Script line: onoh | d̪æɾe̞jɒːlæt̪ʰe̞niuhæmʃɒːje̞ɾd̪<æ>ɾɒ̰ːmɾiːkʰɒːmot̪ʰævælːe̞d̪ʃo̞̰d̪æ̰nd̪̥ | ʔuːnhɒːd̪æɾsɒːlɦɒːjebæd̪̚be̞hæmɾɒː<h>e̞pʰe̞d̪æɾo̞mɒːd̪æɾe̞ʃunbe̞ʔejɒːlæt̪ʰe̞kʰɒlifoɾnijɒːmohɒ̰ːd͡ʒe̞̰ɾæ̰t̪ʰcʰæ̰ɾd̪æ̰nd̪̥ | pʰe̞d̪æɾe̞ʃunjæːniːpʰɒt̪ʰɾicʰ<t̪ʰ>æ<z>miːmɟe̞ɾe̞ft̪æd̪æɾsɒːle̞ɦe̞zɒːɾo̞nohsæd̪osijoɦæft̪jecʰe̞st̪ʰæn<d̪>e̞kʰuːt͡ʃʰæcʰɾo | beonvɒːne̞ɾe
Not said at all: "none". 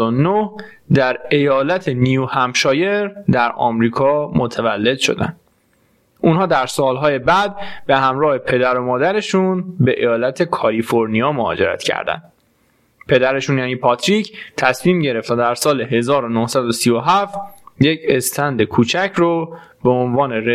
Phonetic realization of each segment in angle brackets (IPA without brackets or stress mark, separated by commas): æ, h, t̪ʰ, s, d̪